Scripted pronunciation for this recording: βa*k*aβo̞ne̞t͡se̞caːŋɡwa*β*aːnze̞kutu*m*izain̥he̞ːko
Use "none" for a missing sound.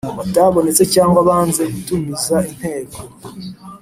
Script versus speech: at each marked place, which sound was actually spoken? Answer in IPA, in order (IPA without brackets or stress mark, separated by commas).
t, β, m